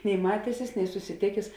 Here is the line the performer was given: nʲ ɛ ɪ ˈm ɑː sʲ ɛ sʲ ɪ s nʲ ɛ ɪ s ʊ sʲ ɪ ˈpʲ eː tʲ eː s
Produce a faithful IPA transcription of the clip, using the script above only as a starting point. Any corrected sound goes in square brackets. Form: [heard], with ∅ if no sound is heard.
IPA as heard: nʲ ɛ ɪ ˈm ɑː [tʲ] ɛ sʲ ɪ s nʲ ɛ ɪ s ʊ sʲ ɪ [ˈtʲ] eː [kʲ] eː s